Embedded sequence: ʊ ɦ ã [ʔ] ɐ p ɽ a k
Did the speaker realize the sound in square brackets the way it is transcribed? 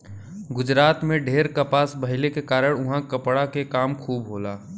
no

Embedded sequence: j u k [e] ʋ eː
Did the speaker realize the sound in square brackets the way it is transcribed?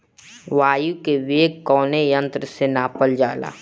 yes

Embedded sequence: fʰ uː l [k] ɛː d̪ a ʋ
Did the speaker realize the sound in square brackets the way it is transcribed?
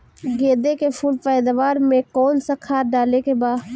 no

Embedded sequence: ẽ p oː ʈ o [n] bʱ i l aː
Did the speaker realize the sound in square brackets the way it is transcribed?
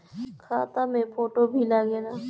no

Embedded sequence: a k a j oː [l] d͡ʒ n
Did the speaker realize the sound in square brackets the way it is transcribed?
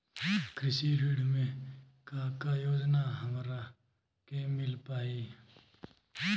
no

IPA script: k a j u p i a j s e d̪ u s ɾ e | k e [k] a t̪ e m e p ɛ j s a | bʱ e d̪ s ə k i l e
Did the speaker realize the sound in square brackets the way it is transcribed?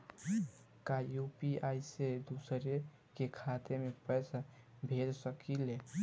no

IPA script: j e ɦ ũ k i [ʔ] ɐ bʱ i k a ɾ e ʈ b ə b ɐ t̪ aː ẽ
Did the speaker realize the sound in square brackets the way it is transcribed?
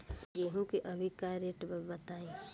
yes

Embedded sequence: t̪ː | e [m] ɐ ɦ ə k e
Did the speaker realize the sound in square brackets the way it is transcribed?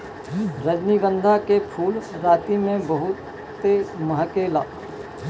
yes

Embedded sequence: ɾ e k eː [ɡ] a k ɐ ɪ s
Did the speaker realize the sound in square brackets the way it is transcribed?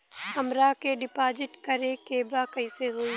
no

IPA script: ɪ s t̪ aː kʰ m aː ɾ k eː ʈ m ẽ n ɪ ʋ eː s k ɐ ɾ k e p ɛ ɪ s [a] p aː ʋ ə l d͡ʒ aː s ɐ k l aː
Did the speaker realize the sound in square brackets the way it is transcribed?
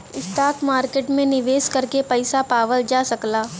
yes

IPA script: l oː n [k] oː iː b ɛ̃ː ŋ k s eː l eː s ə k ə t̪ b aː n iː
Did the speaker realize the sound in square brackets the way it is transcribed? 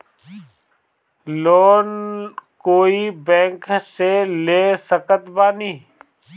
yes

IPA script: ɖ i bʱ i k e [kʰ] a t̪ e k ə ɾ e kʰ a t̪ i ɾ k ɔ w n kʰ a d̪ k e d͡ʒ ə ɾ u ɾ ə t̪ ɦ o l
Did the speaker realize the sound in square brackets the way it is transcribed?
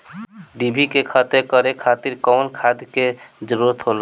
yes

